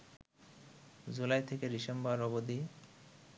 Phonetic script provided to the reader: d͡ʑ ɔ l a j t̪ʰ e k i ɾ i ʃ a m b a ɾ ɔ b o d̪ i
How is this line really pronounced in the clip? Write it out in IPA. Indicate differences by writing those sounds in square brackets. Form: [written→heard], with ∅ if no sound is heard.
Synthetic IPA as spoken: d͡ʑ [ɔ→u] l a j t̪ʰ e k [i→e] ɾ i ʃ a m b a ɾ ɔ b o d̪ i